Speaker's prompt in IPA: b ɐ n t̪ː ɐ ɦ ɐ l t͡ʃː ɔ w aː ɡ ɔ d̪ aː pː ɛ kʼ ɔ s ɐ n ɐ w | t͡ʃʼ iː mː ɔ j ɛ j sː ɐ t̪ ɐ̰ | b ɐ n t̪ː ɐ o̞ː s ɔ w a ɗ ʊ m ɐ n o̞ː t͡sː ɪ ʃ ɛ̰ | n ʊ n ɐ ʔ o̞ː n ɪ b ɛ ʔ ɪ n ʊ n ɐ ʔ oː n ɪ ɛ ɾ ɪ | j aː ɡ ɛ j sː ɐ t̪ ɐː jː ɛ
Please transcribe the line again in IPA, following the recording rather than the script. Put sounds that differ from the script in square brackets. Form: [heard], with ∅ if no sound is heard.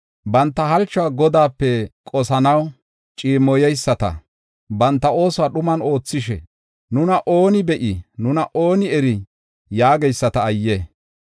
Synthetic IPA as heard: b ɐ n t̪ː ɐ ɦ ɐ l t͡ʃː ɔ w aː ɡ ɔ d̪ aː pː ɛ kʼ ɔ s ɐ n ɐ w | t͡ʃʼ iː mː ɔ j ɛ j sː ɐ t̪ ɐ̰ | b ɐ n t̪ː ɐ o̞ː s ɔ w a ɗ ʊ m ɐ n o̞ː t͡sː ɪ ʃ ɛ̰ | n ʊ n ɐ ʔ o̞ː n ɪ b ɛ ʔ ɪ n ʊ n ɐ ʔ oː n ɪ ɛ ɾ ɪ | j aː ɡ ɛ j sː ɐ t̪ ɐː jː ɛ